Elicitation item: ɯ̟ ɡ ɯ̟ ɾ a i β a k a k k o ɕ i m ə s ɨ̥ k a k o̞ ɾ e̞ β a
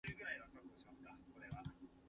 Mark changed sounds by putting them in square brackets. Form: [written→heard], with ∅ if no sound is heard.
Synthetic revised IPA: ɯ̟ ɡ ɯ̟ ɾ a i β a k a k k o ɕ i m [ə→a] s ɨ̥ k a k o̞ ɾ e̞ β a